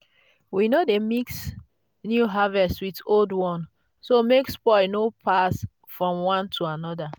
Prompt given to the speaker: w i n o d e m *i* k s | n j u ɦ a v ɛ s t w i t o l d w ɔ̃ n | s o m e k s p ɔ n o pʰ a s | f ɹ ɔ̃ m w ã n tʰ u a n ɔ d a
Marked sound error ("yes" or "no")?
no